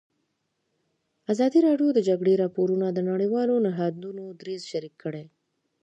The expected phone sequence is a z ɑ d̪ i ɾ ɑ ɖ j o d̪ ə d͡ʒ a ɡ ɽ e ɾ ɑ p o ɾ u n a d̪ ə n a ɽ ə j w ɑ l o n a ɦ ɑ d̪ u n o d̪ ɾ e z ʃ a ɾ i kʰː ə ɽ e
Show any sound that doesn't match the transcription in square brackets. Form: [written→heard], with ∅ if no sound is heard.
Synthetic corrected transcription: a z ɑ d̪ i ɾ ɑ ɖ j o d̪ ə d͡ʒ a ɡ ɽ e ɾ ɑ p o ɾ u n a d̪ ə n a ɽ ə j w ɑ l o n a ɦ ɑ d̪ u n o d̪ ɾ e z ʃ a ɾ i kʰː ə ɽ e